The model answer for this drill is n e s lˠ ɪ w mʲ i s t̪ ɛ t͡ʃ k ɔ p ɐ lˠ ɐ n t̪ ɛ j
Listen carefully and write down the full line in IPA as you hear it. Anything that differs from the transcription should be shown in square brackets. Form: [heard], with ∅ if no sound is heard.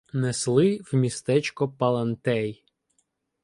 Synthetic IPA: n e s lˠ ɪ w mʲ i s t̪ ɛ t͡ʃ k ɔ p ɐ lˠ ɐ n t̪ ɛ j